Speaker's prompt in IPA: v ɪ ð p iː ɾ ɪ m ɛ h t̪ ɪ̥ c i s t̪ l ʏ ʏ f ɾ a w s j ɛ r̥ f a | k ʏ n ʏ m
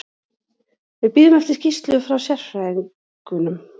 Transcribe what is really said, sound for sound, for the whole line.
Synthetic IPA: v ɪ ð p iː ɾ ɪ m ɛ f t̪ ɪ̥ c i s t̪ l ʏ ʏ f ɾ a w s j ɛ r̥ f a | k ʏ n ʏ m